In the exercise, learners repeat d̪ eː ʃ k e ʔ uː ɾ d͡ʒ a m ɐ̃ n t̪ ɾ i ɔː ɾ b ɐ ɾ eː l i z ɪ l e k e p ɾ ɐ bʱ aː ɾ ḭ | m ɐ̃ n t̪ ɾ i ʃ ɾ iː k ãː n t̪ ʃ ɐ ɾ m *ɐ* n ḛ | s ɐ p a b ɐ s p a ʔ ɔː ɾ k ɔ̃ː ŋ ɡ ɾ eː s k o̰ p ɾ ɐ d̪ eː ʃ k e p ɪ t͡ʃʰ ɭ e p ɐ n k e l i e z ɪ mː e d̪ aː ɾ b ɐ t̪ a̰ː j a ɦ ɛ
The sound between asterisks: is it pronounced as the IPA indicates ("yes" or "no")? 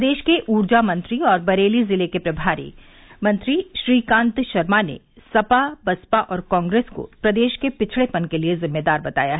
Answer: no